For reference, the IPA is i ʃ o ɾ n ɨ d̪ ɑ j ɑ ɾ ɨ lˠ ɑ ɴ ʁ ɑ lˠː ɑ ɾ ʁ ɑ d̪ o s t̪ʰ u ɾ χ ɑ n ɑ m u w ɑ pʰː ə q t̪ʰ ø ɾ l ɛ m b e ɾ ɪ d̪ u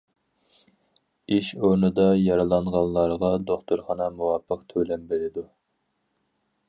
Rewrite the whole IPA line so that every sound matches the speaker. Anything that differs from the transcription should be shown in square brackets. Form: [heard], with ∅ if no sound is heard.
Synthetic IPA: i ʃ o ɾ n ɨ d̪ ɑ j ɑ ɾ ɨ lˠ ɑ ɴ ʁ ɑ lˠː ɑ ɾ ʁ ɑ d̪ o [χ] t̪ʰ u ɾ χ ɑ n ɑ m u w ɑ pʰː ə q t̪ʰ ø [∅] l ɛ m b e ɾ ɪ d̪ u